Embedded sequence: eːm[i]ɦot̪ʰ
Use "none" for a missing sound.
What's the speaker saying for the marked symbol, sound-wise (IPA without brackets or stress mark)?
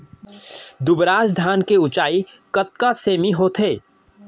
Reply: i